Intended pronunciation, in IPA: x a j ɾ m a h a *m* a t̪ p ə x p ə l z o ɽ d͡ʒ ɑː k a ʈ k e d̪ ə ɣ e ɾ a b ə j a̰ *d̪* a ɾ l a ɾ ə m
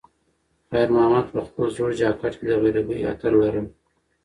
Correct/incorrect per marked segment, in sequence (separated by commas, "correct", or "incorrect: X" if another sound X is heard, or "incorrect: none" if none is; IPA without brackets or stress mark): correct, incorrect: t̪